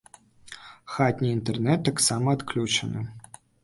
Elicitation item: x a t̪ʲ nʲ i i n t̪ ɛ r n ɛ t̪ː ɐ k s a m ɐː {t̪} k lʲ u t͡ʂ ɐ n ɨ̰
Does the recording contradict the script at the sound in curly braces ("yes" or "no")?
no